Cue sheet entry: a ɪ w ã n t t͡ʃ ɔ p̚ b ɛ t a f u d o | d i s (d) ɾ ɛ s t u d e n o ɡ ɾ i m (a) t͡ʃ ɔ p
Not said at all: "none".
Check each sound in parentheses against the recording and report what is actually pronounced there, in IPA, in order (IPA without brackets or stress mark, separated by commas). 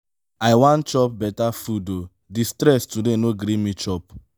t, i